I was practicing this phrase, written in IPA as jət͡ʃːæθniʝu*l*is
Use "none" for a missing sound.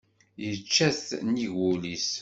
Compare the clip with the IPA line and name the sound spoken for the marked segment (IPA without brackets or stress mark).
l